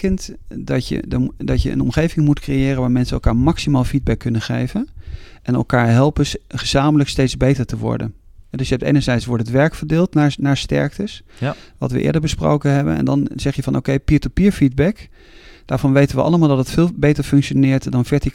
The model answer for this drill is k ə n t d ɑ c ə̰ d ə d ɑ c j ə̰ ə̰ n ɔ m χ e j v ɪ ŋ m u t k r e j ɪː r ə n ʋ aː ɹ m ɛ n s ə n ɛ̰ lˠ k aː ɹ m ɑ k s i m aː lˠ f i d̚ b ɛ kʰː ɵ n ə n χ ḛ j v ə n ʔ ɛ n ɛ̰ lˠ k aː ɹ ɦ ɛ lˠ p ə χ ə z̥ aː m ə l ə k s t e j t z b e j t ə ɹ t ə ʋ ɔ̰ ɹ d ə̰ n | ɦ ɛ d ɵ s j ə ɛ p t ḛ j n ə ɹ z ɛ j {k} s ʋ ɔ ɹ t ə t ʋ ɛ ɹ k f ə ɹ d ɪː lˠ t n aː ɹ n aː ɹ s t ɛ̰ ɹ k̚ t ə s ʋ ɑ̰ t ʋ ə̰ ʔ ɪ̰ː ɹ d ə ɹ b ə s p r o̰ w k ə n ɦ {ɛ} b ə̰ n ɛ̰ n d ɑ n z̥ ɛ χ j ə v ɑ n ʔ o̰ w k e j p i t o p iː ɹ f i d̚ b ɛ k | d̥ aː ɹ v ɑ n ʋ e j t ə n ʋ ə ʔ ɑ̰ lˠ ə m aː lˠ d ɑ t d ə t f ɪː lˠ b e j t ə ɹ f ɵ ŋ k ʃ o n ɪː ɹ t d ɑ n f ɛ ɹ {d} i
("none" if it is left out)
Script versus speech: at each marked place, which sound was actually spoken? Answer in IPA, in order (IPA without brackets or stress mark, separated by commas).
t, ɛ, t